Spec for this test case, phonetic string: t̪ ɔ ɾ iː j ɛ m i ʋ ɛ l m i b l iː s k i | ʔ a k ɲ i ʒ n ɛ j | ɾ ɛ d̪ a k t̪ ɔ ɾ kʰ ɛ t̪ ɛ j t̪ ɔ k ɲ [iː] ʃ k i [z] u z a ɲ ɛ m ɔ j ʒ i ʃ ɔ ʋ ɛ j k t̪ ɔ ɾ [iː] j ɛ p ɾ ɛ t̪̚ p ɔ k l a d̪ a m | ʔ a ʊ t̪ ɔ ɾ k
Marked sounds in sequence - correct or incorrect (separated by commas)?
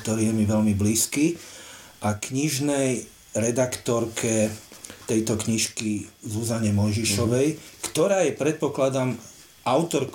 incorrect, correct, incorrect